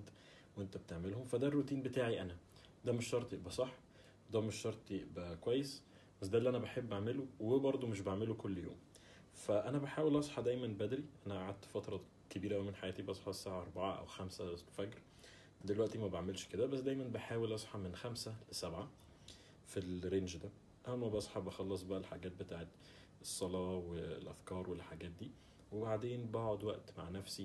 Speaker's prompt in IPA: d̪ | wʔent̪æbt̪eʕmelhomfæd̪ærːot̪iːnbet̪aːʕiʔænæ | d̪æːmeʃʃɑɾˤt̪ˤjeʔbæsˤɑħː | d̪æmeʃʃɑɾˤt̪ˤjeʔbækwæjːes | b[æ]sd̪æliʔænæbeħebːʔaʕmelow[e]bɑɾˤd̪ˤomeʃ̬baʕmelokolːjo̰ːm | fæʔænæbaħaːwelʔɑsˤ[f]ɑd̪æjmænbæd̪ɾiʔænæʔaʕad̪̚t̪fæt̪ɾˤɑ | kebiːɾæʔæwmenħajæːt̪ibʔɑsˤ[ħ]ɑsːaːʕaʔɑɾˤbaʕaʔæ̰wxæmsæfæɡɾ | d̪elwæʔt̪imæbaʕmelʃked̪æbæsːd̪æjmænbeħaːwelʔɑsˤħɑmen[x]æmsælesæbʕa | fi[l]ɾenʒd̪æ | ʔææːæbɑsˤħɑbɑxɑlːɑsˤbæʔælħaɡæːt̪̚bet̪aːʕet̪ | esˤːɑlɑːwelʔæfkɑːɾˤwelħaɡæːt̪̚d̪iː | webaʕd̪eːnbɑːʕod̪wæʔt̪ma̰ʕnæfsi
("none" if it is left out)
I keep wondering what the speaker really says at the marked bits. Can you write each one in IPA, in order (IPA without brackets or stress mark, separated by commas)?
æ, e, ħ, ħ, x, l